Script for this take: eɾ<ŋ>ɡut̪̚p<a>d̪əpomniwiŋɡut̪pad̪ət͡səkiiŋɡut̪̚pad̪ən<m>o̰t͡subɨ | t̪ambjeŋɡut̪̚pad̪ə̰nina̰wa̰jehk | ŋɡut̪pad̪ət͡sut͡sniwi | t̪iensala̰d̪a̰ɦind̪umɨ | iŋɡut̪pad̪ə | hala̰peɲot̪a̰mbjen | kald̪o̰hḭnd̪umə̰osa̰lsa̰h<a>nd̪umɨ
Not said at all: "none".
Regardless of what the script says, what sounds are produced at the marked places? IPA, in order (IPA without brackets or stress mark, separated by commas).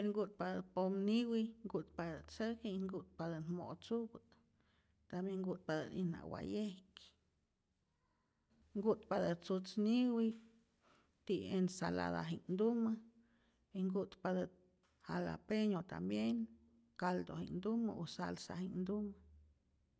ŋ, a, m, i